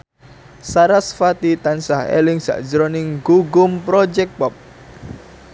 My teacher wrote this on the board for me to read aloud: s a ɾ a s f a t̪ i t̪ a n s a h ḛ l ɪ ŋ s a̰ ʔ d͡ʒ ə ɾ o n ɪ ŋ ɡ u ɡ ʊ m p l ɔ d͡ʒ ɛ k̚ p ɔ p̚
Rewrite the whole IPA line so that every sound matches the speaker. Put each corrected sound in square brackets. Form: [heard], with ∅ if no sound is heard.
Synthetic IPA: s a ɾ a s f a t̪ i t̪ a n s a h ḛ l ɪ ŋ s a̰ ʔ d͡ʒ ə ɾ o n ɪ ŋ ɡ u ɡ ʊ m p [ɾ] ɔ d͡ʒ ɛ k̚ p ɔ p̚